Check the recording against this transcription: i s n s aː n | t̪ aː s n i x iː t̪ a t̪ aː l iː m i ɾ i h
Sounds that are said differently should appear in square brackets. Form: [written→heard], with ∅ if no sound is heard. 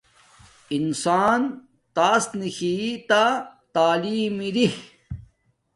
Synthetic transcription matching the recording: i [s→∅] n s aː n | t̪ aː s n i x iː t̪ a t̪ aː l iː m i ɾ i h